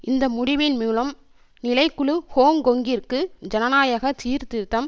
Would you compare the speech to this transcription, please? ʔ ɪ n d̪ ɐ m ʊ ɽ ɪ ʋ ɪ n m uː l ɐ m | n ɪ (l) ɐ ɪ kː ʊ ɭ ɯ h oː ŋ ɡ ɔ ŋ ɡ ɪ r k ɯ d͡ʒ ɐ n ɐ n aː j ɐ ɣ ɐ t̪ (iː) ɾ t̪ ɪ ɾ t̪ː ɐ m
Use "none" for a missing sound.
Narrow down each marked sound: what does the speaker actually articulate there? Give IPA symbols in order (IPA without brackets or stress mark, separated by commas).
l, iː